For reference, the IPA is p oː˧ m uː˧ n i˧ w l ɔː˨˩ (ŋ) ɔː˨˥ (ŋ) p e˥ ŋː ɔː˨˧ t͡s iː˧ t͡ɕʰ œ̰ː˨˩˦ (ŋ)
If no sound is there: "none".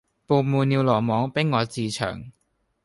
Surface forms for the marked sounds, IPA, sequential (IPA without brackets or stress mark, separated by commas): m, ŋ, ŋ